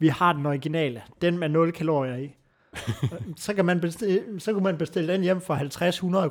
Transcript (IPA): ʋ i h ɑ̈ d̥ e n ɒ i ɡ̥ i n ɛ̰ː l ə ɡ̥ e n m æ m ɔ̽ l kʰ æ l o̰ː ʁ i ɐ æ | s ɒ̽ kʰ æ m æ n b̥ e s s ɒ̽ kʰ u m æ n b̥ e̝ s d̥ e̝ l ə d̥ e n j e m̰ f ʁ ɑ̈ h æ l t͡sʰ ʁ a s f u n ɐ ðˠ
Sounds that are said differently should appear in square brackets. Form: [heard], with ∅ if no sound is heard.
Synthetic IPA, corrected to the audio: ʋ i h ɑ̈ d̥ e n ɒ i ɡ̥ i n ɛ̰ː l ə [d̥] e n m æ [n] ɔ̽ l kʰ æ l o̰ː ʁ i ɐ [i] | s ɒ̽ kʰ æ m æ n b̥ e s s ɒ̽ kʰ u m æ n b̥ e̝ s d̥ e̝ l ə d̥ e n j e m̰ f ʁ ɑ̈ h æ l t͡sʰ ʁ a s [h] u n ɐ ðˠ